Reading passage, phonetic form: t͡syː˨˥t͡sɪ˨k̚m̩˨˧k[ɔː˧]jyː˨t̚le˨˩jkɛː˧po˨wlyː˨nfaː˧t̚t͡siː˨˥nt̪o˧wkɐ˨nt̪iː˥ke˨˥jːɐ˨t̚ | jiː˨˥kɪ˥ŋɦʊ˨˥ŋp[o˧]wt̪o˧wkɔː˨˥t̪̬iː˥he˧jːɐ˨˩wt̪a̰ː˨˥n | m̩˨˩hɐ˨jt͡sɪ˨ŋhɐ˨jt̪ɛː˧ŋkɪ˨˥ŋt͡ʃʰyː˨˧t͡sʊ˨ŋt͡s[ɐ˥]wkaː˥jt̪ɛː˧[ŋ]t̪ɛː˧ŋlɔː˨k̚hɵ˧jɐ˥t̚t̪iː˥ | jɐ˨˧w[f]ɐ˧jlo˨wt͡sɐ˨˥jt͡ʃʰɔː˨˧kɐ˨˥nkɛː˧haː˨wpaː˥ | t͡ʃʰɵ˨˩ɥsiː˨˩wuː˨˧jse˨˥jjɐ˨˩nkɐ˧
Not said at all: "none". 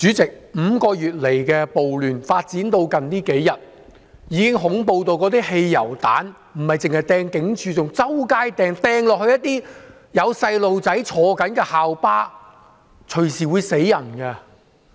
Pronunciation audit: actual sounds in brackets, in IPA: ɔː˧, o˧, ɐ˥, ŋ, s

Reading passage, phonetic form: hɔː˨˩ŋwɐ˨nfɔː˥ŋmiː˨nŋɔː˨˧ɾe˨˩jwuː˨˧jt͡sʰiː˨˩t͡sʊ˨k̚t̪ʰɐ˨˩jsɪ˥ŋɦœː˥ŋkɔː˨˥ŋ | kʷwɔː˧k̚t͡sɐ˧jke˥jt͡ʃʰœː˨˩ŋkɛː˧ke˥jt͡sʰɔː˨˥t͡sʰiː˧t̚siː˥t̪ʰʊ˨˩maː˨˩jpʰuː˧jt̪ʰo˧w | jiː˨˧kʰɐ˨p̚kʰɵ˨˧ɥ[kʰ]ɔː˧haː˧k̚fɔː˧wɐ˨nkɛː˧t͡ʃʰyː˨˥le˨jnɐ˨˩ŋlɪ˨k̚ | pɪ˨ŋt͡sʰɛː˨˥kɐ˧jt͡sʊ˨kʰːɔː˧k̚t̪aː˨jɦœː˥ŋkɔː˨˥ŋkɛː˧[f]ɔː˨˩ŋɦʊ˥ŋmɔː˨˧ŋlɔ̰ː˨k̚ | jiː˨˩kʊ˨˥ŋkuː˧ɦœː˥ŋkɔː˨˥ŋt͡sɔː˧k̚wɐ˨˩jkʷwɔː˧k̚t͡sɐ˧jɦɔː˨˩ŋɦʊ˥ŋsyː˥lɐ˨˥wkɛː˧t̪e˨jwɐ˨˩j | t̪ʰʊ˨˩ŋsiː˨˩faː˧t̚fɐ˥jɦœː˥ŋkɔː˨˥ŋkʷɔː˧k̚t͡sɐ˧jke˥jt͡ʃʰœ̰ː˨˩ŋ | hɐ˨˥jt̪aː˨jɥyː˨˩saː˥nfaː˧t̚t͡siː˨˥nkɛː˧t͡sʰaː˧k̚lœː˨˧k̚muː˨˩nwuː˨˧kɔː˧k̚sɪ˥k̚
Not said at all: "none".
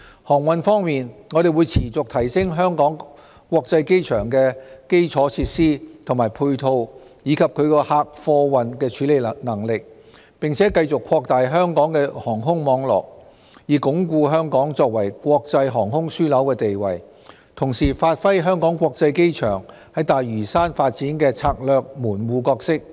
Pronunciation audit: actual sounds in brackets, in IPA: k, h

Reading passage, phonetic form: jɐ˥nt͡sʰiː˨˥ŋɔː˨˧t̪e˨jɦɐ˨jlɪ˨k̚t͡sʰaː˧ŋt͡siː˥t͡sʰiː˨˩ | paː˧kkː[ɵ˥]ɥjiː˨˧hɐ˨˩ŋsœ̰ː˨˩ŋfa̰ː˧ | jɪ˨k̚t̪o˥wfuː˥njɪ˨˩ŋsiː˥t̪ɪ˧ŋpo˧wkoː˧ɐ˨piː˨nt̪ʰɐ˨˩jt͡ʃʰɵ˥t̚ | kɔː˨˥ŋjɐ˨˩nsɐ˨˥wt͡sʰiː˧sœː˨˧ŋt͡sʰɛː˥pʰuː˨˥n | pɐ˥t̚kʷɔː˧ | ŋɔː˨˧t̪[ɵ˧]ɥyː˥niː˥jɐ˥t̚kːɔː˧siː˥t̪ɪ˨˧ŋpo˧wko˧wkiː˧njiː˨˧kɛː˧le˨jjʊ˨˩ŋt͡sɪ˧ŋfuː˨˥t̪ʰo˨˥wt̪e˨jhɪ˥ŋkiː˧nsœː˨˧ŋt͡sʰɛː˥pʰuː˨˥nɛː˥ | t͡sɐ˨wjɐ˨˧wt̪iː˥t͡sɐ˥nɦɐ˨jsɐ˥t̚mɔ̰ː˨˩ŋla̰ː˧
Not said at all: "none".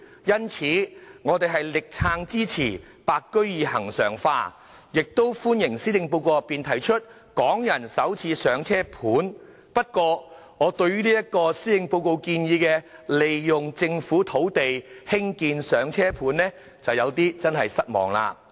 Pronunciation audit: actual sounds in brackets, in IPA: ɵ˥, ɵ˧

